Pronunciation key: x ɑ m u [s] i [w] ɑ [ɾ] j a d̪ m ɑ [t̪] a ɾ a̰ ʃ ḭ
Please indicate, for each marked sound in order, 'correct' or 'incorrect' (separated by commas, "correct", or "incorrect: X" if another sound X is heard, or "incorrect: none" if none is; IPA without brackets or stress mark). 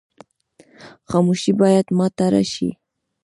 incorrect: ʃ, incorrect: b, incorrect: none, correct